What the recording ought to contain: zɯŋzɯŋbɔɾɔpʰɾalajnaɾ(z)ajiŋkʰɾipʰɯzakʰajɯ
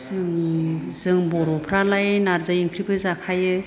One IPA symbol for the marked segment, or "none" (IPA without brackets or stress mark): z